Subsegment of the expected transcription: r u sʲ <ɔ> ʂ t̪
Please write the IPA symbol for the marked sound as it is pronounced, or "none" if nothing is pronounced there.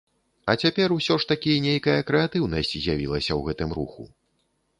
ɔ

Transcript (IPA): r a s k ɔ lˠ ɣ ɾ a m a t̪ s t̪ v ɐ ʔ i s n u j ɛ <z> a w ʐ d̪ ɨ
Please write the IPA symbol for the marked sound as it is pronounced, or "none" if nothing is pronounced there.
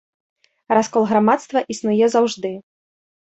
z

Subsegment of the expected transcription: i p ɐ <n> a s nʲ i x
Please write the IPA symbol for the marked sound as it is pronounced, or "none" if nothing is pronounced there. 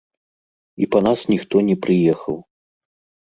n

